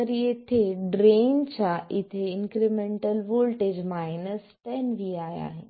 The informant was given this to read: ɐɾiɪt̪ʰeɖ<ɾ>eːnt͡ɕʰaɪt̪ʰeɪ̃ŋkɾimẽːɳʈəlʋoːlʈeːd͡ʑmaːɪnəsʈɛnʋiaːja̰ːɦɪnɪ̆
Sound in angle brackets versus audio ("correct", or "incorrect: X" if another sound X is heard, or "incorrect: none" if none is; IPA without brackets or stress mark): correct